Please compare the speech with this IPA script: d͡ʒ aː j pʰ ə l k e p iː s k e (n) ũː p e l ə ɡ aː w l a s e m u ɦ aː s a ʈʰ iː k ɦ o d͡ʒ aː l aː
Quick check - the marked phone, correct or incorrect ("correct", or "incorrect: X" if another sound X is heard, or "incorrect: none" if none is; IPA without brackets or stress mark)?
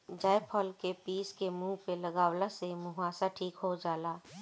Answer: incorrect: m